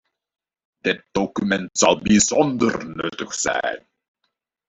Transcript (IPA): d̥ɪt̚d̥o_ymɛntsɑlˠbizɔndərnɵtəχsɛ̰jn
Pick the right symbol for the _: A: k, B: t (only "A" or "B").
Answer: A